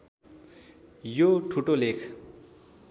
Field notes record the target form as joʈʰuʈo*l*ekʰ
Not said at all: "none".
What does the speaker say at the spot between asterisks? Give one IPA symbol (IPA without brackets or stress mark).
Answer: l